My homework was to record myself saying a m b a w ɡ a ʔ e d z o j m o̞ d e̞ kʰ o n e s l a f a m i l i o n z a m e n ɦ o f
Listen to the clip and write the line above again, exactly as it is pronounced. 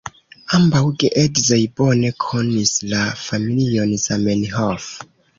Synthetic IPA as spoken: a m b a w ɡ e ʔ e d z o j b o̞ n e̞ kʰ o n i s l a f a m i l i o n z a m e n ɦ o f